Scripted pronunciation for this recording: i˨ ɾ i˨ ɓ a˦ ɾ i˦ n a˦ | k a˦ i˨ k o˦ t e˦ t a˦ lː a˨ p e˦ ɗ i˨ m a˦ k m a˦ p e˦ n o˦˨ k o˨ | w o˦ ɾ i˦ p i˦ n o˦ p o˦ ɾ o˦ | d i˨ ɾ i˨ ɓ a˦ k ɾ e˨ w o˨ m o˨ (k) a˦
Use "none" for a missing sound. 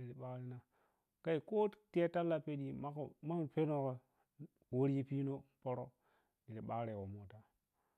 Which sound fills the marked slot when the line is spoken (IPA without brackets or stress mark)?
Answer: t